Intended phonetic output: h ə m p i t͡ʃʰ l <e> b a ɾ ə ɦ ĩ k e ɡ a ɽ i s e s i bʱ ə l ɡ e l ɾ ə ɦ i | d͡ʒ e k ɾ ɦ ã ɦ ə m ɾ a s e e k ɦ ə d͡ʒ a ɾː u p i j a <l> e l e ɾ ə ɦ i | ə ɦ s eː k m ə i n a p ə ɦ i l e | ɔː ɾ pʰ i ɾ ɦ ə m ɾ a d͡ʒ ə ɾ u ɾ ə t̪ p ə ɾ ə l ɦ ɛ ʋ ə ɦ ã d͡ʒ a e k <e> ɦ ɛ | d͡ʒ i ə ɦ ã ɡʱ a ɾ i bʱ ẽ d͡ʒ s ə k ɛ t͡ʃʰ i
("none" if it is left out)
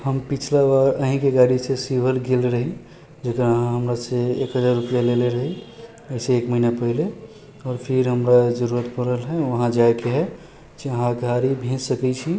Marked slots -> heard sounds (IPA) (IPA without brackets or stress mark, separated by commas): a, l, e